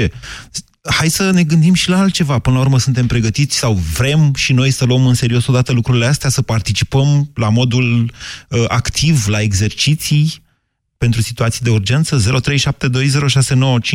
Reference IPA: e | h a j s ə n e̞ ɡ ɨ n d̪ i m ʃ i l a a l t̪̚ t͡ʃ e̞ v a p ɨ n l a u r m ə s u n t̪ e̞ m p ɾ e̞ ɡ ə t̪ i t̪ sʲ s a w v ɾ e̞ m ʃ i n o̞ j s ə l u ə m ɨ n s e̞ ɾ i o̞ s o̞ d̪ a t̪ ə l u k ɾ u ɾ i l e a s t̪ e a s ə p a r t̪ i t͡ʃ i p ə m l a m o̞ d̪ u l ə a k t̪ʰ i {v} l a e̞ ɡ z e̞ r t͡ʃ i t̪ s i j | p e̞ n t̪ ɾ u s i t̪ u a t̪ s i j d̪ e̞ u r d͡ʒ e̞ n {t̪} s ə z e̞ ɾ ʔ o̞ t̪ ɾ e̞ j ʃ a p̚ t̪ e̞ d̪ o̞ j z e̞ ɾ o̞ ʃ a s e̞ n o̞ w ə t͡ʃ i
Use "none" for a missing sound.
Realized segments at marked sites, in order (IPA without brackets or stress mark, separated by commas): v, t̪